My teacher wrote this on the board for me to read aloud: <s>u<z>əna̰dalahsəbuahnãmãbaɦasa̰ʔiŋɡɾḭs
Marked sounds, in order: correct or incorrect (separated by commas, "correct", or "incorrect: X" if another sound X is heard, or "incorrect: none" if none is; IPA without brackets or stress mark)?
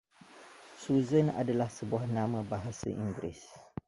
correct, correct